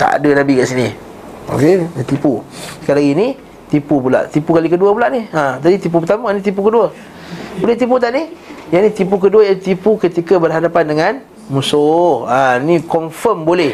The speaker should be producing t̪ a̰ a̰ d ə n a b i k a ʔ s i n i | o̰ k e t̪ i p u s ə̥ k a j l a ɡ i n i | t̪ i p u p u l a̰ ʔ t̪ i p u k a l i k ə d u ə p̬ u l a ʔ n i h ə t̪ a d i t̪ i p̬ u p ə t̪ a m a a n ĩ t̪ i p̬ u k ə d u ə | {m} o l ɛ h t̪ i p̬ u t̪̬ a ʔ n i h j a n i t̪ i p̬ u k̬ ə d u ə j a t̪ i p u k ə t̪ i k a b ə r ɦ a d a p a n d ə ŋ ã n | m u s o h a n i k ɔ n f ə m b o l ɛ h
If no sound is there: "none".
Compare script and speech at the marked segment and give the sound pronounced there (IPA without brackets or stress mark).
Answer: b